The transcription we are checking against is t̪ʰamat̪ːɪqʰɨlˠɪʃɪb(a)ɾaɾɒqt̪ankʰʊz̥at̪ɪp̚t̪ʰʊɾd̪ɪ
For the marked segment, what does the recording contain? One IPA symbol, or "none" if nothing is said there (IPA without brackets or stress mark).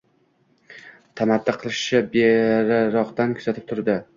e